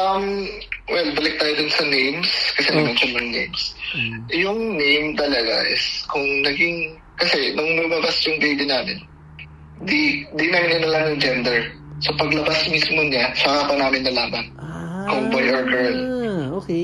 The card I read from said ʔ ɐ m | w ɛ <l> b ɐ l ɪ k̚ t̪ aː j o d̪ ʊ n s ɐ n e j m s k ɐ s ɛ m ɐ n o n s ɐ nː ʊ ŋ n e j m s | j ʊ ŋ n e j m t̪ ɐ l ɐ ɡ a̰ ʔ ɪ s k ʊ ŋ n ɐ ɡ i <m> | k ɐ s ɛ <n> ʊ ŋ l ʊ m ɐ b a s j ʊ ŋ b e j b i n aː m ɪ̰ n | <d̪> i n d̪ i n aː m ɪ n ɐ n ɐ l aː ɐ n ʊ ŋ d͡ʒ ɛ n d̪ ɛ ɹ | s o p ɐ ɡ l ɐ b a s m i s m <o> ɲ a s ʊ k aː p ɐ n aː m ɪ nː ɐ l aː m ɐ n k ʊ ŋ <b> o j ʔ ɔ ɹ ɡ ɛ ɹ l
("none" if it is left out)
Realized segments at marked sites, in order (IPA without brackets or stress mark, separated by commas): l, ŋ, n, d̪, o, b